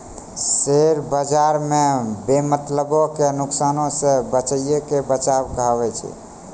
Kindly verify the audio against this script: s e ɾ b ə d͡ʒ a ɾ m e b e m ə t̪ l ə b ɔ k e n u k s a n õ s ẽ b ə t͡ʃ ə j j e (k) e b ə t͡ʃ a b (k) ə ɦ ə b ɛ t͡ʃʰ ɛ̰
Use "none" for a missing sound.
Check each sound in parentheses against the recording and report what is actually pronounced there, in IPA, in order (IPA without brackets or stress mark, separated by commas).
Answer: k, k